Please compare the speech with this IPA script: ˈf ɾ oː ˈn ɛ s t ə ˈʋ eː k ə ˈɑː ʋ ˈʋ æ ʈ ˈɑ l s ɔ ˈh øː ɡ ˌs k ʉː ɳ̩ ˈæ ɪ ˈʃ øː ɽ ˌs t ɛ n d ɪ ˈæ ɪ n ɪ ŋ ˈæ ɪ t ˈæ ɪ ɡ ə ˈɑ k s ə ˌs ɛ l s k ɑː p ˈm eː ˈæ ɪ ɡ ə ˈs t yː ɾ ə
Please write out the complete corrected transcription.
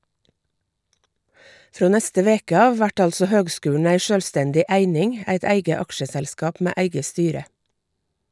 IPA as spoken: ˈf ɾ oː ˈn ɛ s t ə ˈʋ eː k ə ˈɑː ʋ ˈʋ æ ʈ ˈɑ l s ɔ ˈh øː ɡ ˌs k ʉː ɳ̩ ˈæ ɪ ˈʃ øː l ˌs t ɛ n d ɪ ˈæ ɪ n ɪ ŋ ˈæ ɪ t ˈæ ɪ ɡ ə ˈɑ k ʃ ə ˌs ɛ l s k ɑː p ˈm eː ˈæ ɪ ɡ ə ˈs t yː ɾ ə